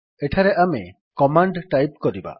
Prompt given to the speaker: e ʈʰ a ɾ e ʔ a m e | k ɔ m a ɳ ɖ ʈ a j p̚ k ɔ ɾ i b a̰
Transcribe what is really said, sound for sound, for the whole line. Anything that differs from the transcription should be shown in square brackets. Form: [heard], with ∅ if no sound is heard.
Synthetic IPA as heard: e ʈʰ a ɾ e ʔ a m e | k ɔ m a ɳ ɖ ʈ a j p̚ k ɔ ɾ i b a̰